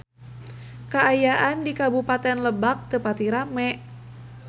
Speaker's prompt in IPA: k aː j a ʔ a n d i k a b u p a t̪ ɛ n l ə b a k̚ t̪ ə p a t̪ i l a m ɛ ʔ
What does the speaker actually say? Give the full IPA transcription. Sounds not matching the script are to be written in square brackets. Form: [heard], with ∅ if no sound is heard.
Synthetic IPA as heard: k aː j a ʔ a n d i k a b u p a t̪ ɛ n l ə b a k̚ t̪ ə p a t̪ i [ɾ] a m ɛ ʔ